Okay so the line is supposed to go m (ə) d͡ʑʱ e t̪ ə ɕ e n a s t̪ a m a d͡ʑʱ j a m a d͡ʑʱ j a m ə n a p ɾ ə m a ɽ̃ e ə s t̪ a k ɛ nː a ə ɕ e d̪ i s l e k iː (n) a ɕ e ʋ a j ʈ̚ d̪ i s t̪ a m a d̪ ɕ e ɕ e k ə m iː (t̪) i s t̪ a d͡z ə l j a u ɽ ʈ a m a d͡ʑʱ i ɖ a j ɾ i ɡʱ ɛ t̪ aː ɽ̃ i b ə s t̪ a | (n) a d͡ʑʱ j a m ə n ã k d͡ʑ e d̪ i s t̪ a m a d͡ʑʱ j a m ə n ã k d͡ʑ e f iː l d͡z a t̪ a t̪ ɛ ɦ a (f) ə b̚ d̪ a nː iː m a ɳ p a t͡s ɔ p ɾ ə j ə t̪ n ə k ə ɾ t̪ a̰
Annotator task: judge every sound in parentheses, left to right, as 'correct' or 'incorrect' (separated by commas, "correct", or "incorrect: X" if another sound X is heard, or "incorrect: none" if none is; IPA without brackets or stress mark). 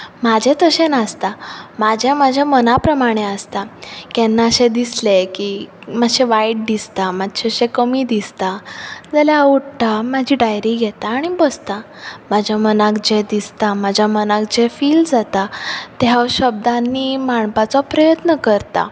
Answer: incorrect: a, incorrect: m, incorrect: d̪, incorrect: m, incorrect: ɕ